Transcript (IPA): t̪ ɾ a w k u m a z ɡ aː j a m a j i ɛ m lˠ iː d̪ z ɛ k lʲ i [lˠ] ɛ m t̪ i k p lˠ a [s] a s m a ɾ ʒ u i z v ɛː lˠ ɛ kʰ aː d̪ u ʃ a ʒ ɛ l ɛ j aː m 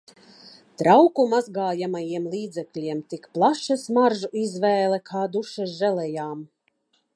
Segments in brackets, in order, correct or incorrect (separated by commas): incorrect, incorrect